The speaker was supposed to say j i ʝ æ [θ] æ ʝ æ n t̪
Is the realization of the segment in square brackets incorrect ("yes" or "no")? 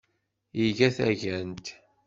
no